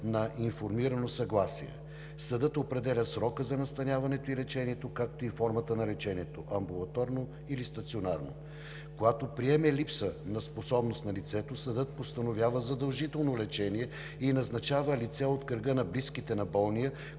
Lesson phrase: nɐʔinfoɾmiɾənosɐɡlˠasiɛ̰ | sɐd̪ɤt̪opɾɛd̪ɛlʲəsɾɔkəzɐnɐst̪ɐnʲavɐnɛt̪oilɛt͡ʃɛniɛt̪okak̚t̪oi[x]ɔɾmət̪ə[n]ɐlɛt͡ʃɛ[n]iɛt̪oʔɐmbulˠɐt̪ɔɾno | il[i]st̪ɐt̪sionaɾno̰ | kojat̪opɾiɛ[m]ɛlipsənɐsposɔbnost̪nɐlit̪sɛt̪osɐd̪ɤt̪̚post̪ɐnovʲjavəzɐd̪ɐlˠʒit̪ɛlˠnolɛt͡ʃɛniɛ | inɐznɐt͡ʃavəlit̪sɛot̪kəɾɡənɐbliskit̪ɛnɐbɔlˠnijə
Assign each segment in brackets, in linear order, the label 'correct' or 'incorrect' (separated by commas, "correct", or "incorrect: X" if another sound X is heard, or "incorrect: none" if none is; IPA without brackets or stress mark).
incorrect: f, correct, correct, correct, correct